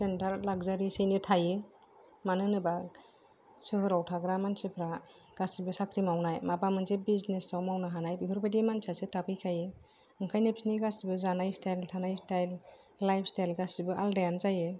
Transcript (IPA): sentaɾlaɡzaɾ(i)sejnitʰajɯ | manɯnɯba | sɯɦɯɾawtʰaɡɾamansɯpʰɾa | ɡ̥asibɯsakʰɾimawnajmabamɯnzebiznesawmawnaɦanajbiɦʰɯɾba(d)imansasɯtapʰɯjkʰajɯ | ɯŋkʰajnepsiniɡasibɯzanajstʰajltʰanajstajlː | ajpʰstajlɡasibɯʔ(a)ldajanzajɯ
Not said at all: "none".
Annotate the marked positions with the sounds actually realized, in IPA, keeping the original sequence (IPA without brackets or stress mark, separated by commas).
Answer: i, d, a